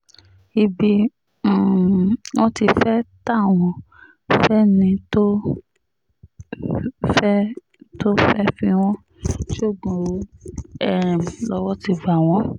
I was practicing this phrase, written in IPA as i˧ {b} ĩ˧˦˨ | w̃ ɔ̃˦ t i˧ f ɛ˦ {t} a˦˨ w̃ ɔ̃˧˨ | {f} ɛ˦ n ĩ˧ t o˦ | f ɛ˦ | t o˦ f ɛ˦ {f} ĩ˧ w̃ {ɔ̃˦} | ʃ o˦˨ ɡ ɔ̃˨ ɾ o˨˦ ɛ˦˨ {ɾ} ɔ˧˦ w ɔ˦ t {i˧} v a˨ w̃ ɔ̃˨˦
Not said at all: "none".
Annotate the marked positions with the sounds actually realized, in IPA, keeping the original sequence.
b, t, f, f, ɔ̃˦, l, i˧

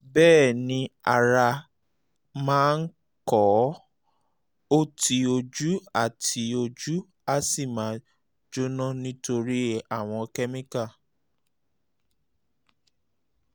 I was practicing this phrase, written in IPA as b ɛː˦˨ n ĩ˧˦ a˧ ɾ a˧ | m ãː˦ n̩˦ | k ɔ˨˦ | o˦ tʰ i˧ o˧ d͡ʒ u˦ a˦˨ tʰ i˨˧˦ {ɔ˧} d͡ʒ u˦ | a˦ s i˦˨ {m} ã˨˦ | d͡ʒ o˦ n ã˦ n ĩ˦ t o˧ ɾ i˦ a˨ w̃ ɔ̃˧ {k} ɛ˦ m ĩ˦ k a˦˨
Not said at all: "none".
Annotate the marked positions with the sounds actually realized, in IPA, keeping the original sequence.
o˧, m, k

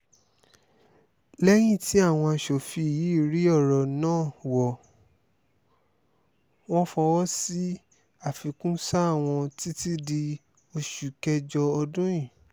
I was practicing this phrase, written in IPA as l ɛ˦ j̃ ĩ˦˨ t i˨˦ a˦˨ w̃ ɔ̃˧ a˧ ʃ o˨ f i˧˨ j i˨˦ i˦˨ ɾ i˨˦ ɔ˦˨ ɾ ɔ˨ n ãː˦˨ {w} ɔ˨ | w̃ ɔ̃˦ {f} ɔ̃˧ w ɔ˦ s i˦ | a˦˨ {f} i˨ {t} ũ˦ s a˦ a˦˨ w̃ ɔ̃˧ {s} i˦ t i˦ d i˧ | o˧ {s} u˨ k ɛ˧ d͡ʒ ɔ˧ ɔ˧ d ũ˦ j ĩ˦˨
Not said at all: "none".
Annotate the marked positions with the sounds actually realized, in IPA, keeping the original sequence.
w, f, f, k, t, ʃ

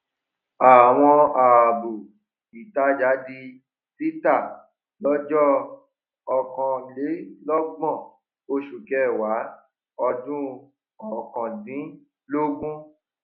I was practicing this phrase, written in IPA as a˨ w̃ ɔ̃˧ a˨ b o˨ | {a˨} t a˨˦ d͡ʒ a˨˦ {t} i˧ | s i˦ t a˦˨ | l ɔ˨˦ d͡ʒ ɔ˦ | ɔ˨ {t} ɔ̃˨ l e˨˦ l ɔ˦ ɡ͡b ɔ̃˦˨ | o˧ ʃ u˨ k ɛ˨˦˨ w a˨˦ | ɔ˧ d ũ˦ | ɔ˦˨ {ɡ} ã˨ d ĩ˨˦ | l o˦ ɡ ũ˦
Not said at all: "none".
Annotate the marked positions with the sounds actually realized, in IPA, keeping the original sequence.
i˨, d, k, k

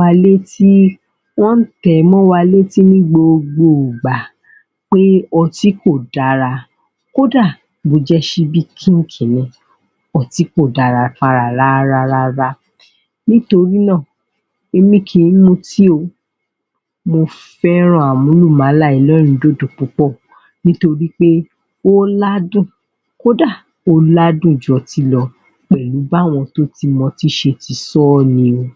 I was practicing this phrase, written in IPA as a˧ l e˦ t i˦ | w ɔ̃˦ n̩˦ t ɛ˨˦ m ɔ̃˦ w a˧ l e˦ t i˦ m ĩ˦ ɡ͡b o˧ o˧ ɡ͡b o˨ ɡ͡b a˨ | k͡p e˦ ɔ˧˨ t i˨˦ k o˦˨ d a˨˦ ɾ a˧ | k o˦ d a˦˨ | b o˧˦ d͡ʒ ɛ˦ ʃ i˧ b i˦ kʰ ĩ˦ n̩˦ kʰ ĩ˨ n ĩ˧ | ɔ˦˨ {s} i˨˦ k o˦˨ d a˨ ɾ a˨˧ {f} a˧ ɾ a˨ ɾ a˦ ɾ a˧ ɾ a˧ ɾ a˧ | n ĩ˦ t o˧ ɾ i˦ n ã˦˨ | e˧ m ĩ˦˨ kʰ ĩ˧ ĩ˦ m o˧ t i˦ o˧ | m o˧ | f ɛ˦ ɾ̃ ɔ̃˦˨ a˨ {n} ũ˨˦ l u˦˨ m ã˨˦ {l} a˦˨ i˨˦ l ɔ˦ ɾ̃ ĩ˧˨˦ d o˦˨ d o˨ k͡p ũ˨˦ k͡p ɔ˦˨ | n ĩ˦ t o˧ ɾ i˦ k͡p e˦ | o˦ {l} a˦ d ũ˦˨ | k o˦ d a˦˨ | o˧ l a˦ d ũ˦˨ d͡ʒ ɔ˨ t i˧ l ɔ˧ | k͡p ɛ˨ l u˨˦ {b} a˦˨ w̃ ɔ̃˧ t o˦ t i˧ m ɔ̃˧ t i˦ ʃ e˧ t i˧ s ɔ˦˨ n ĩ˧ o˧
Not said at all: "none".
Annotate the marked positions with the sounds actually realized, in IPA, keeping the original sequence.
t, f, m, l, l, b

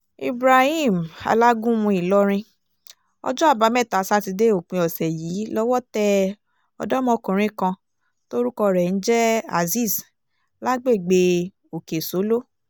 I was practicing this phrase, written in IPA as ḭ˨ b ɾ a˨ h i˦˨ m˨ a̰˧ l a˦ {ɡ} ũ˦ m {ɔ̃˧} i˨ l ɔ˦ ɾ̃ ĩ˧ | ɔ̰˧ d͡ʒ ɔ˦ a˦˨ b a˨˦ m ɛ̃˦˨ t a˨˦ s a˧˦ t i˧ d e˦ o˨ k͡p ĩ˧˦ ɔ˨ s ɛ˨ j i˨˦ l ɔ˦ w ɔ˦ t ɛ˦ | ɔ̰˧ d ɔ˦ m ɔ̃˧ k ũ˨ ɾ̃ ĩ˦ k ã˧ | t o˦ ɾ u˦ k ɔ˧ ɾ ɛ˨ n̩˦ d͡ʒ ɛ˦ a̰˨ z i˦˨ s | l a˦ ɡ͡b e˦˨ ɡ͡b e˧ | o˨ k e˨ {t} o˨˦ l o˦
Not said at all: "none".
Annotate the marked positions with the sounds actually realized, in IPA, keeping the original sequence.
ɡ, ũ˧, s

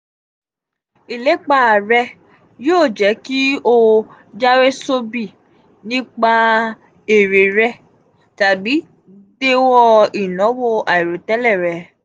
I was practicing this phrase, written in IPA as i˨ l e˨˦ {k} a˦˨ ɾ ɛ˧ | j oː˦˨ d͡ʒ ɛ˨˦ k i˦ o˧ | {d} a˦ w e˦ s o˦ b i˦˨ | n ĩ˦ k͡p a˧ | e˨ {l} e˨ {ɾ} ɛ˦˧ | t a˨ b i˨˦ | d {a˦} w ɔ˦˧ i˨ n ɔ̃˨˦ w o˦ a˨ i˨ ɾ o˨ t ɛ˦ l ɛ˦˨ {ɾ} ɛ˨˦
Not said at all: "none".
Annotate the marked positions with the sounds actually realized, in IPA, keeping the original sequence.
k͡p, d͡ʒ, ɾ, ɾ, e˦, ɾ

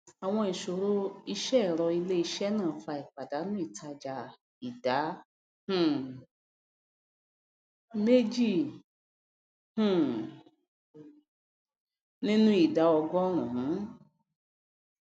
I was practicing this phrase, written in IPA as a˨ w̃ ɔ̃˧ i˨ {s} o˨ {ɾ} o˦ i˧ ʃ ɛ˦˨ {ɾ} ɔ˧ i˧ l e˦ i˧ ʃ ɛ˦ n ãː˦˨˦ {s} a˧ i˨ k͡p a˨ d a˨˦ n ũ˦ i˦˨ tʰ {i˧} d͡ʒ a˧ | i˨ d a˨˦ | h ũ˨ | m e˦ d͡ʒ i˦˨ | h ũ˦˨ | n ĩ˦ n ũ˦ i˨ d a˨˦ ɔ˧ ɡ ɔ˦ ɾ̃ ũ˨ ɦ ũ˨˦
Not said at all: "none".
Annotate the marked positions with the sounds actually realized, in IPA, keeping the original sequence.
ʃ, ɾ, ɾ, f, a˧

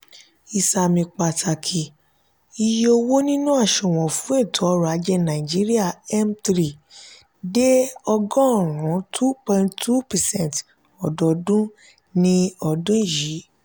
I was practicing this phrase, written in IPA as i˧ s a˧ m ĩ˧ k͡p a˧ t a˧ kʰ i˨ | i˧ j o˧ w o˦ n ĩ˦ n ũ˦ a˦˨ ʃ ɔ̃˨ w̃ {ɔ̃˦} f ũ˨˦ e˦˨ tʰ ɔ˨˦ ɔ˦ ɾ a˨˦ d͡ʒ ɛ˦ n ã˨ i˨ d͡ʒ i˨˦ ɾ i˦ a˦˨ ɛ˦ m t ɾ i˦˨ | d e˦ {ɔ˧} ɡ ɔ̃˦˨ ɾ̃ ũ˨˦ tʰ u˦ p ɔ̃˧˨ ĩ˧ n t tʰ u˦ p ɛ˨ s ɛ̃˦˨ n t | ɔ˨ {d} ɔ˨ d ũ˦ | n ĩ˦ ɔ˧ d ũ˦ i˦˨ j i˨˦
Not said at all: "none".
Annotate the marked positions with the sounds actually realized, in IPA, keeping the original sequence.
ɔ̃˨, ɔ˧, d

